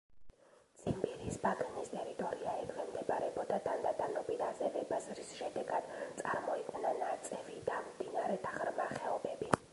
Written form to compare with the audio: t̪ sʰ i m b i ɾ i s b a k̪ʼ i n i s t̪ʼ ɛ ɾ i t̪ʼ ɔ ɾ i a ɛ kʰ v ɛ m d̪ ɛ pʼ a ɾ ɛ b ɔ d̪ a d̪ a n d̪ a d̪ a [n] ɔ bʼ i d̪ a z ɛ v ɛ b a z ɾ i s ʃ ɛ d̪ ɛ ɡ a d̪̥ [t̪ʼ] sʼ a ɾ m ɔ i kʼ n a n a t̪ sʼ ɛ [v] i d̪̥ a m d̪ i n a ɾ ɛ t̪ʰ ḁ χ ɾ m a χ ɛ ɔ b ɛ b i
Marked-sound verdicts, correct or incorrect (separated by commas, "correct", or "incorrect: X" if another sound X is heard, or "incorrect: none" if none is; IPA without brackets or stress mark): correct, incorrect: t̪, correct